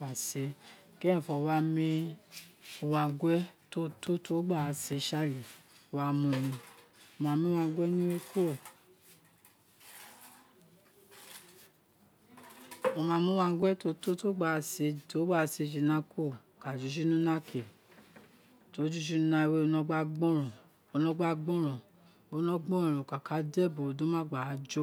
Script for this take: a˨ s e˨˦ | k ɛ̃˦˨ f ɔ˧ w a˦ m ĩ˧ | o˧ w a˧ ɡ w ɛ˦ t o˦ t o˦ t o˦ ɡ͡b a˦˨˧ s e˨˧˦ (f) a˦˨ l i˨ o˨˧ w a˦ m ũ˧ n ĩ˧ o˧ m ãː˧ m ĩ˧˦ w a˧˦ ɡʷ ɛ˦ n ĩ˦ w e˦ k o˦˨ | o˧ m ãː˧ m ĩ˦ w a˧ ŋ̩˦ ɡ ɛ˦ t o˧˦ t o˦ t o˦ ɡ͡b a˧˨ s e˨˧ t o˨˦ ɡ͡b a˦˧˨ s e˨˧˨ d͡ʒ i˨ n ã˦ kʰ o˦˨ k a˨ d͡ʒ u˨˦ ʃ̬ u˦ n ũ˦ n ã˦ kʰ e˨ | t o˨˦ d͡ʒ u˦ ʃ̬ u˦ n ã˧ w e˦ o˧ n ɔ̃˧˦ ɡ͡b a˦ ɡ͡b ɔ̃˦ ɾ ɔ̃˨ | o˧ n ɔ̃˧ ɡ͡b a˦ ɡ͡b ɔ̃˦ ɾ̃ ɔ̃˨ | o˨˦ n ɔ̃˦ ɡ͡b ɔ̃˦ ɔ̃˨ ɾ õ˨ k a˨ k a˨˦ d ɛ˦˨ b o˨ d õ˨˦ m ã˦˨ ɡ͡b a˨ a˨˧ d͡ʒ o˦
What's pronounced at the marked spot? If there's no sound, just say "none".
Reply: ʃ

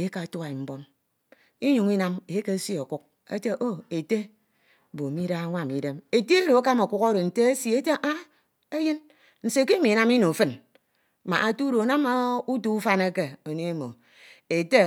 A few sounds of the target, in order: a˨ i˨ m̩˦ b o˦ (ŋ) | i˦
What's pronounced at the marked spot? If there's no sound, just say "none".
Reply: m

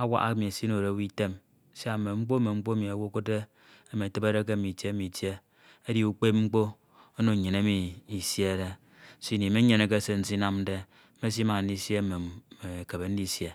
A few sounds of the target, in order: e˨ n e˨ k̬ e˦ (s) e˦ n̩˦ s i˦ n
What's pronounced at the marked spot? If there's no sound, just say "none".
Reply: s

